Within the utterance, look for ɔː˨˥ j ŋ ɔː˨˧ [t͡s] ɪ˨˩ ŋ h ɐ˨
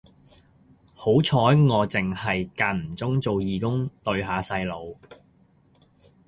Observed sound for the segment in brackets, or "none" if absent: t͡s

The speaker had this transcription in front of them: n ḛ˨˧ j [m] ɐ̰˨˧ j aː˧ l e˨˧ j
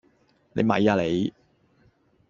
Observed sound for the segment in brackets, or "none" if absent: m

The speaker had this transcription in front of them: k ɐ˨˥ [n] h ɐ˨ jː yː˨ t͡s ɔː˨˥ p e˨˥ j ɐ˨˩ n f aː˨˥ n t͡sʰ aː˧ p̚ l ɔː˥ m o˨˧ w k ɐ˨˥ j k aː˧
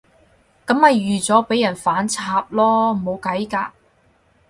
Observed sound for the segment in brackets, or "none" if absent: m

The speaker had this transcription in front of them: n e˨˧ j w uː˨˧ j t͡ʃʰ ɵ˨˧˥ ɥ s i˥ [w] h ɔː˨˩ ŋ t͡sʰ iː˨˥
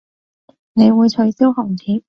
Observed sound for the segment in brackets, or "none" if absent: w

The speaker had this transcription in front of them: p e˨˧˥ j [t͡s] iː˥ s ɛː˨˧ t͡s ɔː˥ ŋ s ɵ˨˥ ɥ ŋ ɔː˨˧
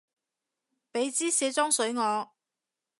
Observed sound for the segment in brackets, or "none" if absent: t͡s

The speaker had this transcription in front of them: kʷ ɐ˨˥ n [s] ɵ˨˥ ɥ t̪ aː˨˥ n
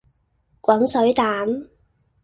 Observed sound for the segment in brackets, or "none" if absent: s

